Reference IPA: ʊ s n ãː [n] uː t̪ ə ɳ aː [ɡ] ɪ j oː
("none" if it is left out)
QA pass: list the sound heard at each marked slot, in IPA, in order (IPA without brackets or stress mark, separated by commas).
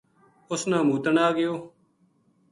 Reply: m, ɡ